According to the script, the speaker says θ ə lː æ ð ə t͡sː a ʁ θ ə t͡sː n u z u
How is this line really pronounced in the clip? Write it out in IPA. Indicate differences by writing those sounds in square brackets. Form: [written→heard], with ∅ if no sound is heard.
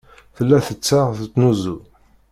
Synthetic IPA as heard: θ ə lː æ [ð→θ] ə t͡sː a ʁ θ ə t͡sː n u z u